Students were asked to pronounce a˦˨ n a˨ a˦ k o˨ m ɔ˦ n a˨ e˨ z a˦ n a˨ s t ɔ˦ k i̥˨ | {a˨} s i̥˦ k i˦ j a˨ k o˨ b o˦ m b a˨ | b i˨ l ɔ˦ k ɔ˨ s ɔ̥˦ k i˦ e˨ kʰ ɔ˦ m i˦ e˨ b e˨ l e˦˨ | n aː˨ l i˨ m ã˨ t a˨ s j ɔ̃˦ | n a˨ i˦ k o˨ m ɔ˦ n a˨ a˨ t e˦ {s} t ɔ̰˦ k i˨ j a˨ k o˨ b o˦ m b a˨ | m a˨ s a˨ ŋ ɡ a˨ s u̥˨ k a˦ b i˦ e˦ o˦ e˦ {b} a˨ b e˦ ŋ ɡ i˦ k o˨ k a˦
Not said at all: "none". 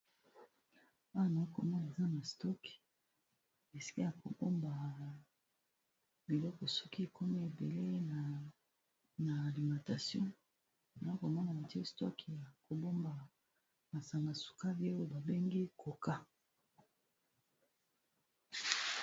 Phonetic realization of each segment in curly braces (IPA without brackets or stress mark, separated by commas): e˨, s, b